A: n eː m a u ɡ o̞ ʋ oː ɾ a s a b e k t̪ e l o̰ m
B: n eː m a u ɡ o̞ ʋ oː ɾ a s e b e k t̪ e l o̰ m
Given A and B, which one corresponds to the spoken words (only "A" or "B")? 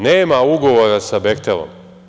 A